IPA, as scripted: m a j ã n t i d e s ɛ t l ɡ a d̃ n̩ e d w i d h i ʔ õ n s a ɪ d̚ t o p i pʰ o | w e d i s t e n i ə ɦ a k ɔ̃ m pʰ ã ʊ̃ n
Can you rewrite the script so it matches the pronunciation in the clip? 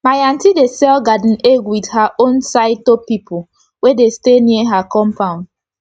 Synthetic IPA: m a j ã n t i d e s ɛ l ɡ a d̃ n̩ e ɡ w i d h a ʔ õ n s a ɪ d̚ t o p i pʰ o | w e d e s t e n i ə ɦ a k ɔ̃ m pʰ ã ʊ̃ n